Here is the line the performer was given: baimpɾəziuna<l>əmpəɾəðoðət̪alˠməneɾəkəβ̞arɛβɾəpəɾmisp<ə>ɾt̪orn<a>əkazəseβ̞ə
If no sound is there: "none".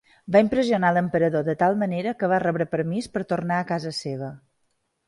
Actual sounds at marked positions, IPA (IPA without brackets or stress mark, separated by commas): l, ə, a